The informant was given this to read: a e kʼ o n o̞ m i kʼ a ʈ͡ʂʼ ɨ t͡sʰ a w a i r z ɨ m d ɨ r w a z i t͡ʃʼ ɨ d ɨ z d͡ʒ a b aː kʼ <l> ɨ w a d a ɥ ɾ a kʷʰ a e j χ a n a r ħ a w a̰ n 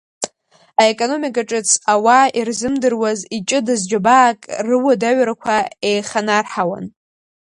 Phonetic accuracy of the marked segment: incorrect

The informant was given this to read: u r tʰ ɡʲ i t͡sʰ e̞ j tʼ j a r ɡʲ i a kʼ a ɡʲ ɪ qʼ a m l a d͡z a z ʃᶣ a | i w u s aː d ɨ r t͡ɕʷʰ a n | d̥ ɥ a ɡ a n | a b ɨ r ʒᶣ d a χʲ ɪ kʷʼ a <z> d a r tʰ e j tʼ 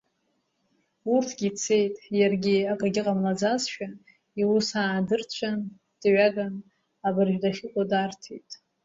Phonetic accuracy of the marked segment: incorrect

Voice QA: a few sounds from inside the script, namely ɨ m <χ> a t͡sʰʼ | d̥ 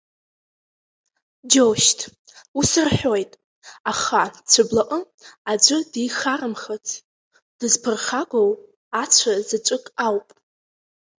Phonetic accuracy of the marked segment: correct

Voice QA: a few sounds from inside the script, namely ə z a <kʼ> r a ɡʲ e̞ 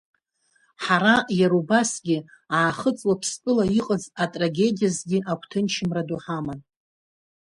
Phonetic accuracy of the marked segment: incorrect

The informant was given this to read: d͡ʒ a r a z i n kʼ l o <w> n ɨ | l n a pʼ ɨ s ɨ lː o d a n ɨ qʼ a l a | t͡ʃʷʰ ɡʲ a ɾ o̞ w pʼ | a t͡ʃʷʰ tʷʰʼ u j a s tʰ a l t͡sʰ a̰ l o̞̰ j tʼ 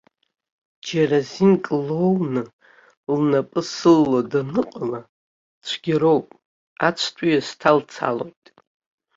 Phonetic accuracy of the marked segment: correct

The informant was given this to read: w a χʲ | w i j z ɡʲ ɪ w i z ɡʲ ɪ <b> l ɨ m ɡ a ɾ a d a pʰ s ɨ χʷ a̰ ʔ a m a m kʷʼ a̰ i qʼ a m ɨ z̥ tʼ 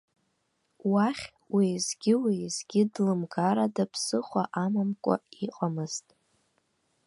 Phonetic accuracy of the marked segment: incorrect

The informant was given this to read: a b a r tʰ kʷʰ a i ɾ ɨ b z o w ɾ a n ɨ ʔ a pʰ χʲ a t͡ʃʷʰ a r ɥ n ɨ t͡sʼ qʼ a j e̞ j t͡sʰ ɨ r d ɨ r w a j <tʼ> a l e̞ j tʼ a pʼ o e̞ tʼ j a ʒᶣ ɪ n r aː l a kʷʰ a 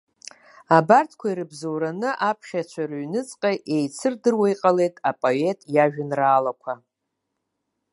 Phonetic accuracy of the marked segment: incorrect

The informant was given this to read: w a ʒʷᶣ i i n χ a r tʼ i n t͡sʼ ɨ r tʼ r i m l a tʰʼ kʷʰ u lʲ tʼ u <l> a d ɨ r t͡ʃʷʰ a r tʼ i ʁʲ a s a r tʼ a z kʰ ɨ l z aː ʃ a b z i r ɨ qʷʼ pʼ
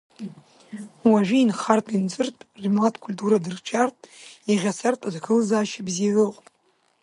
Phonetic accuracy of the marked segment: incorrect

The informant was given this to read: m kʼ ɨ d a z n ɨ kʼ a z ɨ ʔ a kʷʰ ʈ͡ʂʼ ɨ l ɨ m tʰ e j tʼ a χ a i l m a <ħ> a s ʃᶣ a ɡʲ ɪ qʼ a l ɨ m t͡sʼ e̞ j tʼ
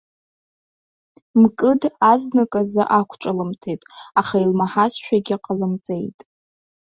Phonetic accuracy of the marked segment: correct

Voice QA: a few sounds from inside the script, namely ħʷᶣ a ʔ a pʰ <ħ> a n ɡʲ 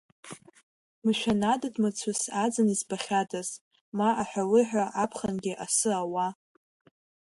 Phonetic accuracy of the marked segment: incorrect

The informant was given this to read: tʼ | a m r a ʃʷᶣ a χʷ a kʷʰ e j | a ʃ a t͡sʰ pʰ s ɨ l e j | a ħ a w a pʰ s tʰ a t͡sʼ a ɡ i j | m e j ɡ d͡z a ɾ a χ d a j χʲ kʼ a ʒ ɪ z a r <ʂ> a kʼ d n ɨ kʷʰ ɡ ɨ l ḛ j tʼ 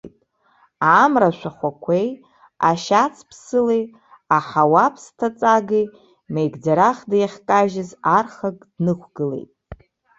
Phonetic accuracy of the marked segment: incorrect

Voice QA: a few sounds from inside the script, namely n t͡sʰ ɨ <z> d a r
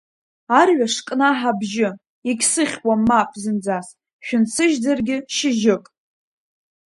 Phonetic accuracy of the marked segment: incorrect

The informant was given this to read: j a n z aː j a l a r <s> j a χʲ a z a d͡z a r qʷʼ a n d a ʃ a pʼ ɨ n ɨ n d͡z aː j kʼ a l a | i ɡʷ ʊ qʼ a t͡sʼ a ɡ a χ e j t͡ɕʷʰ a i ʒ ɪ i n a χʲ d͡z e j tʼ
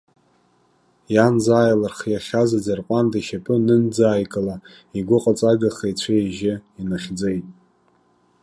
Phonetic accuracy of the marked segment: incorrect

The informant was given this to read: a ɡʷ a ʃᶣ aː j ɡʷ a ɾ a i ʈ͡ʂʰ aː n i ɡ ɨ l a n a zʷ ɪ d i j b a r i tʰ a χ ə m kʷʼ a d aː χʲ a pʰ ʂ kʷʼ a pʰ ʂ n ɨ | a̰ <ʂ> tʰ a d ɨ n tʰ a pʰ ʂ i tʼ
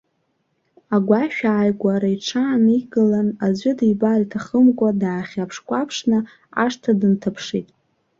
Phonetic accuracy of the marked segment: correct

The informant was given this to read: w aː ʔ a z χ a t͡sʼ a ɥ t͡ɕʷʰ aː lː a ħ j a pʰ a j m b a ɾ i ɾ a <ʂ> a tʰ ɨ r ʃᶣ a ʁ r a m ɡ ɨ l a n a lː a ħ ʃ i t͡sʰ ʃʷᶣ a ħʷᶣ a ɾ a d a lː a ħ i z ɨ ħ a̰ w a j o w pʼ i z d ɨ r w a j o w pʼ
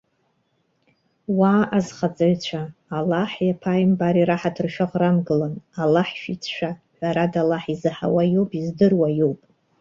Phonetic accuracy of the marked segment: incorrect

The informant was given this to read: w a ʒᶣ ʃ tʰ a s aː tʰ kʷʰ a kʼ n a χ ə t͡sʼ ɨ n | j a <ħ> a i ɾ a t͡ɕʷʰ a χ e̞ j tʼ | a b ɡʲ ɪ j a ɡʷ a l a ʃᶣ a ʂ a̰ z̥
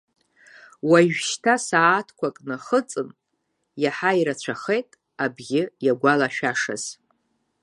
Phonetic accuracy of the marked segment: correct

